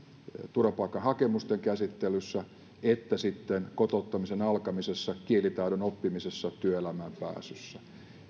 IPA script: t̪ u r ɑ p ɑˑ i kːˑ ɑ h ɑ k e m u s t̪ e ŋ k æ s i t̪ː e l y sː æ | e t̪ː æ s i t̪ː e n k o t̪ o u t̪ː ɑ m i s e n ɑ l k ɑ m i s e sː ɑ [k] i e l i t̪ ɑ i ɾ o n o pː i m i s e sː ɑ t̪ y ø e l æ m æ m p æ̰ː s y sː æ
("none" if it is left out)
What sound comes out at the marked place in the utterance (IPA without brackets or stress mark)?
k